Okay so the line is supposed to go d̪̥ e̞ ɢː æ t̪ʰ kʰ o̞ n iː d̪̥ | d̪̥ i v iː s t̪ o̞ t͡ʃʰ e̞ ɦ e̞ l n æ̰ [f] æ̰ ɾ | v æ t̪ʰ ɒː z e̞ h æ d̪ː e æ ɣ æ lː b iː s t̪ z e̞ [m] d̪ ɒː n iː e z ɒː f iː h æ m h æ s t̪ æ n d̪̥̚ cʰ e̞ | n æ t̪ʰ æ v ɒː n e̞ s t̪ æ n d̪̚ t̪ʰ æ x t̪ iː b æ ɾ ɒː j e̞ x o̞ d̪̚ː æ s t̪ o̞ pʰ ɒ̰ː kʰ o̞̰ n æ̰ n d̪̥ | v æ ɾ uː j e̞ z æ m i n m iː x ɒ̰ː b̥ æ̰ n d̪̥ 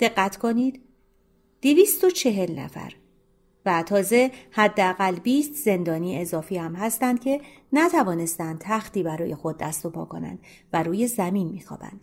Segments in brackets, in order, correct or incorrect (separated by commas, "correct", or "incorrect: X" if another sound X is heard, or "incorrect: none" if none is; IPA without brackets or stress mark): correct, incorrect: n